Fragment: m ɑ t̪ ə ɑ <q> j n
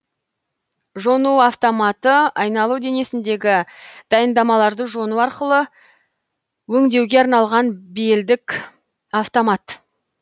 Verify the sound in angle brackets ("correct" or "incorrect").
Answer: incorrect